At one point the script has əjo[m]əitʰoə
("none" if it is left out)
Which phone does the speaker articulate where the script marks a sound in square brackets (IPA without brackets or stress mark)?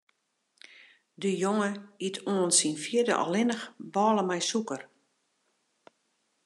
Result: ŋ